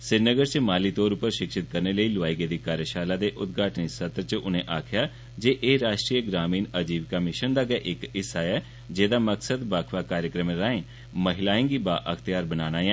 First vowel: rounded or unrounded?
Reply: unrounded